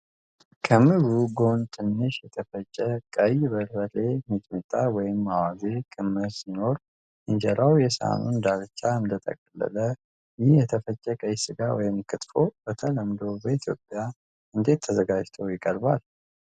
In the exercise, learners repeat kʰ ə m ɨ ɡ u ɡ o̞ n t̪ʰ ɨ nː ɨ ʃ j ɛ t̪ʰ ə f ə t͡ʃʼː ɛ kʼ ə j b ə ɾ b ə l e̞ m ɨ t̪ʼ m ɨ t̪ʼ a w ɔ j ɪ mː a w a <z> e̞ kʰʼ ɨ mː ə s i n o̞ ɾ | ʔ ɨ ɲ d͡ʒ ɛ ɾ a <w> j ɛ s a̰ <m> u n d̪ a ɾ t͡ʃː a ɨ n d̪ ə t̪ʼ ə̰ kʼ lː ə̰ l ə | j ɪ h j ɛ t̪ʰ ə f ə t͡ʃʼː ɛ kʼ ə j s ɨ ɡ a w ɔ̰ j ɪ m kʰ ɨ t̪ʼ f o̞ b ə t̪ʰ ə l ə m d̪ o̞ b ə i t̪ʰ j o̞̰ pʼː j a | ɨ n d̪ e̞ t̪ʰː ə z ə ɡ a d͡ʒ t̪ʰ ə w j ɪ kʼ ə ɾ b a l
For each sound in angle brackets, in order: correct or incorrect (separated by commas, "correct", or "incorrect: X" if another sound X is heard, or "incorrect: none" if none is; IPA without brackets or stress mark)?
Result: correct, correct, incorrect: n